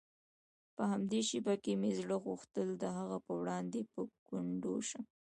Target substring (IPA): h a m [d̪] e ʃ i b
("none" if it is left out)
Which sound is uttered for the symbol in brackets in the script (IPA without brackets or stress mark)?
d̪